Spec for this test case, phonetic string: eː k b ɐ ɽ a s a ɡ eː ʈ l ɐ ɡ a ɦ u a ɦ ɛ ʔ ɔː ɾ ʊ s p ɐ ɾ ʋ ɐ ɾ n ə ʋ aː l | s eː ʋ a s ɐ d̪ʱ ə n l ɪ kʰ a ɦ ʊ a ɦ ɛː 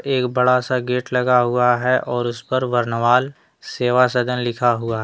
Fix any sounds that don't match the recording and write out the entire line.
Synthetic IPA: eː k b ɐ ɽ a s a ɡ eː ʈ l ɐ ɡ a ɦ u a ɦ ɛ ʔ ɔː ɾ ʊ s p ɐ ɾ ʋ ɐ ɾ n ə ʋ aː l | s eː ʋ a s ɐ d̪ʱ ə n l ɪ kʰ a ɦ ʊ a ɦ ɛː